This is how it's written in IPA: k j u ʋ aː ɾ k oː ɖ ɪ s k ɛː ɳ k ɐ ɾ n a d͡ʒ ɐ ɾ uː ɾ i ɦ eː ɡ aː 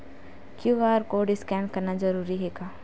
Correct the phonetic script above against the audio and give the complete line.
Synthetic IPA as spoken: k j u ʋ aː ɾ k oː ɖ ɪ s k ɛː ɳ k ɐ ɾ n a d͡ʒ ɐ ɾ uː ɾ i ɦ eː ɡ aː